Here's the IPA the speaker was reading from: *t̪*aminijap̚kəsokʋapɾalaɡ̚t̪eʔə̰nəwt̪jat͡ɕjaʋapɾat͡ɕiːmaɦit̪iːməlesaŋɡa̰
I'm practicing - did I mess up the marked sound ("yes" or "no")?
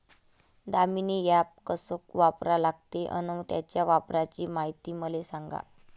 yes